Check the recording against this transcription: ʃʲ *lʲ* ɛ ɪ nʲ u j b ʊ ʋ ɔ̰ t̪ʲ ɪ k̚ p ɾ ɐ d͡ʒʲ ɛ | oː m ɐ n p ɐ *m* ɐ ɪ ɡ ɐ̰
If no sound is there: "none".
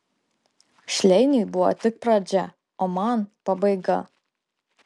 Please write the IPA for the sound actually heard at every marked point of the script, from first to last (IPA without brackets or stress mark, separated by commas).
lʲ, b